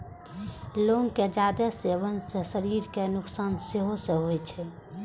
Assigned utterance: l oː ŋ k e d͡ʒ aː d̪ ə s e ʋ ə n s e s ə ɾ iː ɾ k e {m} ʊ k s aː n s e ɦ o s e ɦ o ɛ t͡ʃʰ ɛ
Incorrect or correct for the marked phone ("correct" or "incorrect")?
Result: incorrect